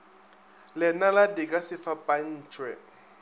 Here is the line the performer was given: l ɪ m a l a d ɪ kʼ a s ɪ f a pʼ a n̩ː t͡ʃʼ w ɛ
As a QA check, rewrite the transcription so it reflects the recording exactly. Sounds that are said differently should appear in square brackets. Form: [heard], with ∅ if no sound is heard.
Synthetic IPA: l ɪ [n] a l a d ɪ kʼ a s ɪ f a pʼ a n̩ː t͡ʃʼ w ɛ